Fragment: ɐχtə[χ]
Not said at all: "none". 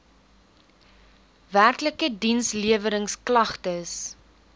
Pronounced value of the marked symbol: s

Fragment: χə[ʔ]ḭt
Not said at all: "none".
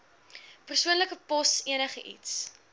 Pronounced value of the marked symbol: ʔ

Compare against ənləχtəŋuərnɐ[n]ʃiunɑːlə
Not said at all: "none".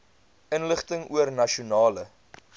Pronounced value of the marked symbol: none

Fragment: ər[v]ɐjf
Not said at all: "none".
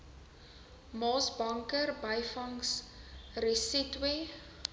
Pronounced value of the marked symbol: b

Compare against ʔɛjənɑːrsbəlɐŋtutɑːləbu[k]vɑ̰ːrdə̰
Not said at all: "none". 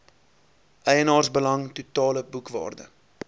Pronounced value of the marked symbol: k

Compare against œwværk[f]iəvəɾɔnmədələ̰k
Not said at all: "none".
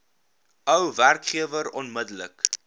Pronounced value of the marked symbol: χ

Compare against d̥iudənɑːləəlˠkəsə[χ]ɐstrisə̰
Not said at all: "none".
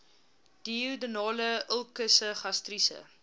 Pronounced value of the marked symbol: χ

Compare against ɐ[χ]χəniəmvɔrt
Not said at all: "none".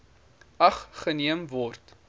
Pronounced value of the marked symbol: χ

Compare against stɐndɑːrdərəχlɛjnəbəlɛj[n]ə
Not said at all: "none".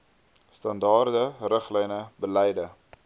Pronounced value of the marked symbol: d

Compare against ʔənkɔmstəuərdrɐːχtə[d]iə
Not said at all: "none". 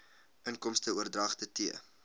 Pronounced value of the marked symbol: t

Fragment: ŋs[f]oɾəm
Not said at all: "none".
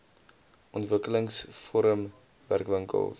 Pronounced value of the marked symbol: f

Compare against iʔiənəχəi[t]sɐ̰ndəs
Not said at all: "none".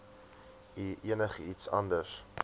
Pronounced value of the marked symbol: t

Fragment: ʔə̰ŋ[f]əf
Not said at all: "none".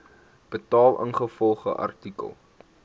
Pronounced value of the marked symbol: χ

